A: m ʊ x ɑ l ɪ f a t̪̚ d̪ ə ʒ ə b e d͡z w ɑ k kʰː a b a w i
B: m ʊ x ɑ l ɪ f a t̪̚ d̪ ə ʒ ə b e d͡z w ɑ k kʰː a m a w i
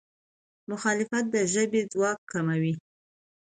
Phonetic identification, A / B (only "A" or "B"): B